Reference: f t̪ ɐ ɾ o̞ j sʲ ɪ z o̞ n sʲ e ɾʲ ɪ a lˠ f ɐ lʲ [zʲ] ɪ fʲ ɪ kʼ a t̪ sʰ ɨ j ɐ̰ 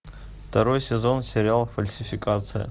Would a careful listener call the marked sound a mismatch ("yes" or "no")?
yes